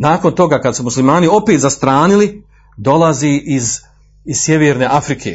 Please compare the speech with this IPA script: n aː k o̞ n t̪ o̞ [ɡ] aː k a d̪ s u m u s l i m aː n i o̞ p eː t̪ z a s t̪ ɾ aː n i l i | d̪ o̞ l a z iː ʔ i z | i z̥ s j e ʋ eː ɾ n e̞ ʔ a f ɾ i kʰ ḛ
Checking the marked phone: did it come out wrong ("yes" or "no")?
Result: no